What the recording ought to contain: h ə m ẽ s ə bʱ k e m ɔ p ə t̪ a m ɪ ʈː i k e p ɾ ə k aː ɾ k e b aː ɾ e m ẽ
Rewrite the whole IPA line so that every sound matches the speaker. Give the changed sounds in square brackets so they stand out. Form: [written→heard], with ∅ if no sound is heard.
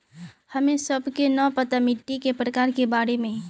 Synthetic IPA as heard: h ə m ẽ s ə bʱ k e [m→n] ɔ p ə t̪ a m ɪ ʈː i k e p ɾ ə k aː ɾ k e b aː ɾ e m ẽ